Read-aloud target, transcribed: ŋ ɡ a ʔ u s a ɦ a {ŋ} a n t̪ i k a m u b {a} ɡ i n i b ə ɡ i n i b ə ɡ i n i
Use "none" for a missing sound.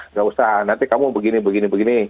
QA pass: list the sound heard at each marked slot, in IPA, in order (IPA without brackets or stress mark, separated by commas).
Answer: n, ə